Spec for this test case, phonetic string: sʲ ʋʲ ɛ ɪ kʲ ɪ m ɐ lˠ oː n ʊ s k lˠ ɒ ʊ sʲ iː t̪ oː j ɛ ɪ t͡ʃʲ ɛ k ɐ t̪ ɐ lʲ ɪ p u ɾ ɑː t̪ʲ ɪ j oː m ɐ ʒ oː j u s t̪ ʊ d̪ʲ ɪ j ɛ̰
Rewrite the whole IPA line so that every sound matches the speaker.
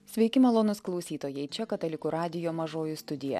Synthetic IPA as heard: sʲ ʋʲ ɛ ɪ kʲ ɪ m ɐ lˠ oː n ʊ s k lˠ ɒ ʊ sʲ iː t̪ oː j ɛ ɪ t͡ʃʲ ɛ k ɐ t̪ ɐ lʲ ɪ k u ɾ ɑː d̪ʲ ɪ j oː m ɐ ʒ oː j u s t̪ ʊ d̪ʲ ɪ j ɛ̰